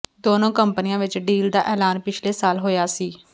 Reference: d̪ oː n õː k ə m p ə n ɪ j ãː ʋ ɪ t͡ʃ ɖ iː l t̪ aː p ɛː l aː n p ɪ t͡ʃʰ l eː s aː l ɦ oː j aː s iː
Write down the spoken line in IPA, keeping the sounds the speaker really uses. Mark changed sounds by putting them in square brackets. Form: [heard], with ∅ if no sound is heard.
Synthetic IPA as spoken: d̪ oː n õː k ə m p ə n ɪ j ãː ʋ ɪ t͡ʃ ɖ iː l [d̪] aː [ʔ] ɛː l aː n p ɪ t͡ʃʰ l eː s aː l ɦ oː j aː s iː